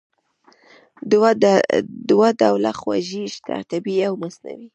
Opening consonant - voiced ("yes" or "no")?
yes